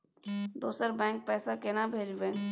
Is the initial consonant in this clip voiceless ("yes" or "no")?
no